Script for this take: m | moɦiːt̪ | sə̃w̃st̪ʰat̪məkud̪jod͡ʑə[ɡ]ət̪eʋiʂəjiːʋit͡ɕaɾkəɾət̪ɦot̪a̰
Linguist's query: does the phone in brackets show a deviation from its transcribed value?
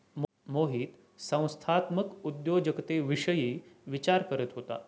yes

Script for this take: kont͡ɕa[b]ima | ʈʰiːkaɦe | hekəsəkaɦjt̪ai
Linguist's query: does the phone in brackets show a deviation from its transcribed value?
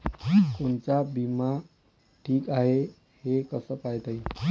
no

